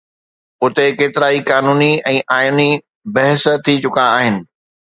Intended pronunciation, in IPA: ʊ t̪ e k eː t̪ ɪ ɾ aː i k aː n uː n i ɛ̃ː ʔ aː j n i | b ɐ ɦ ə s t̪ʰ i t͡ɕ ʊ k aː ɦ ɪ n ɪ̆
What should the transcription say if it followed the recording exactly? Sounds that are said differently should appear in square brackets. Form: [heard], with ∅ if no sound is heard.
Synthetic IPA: ʊ t̪ e k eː t̪ ɪ ɾ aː i k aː n uː n i ɛ̃ː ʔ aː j n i | b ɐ ɦ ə s t̪ʰ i t͡ɕ ʊ k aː ɦ ɪ n ɪ̆